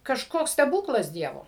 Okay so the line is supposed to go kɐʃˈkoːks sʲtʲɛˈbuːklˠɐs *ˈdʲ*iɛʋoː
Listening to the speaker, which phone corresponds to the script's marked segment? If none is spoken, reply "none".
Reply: dʲ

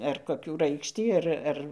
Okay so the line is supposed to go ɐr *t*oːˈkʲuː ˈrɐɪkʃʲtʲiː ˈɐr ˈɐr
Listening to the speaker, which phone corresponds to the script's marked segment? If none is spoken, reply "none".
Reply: k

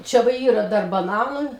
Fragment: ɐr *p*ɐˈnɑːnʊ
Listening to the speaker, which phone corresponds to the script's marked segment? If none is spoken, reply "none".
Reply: b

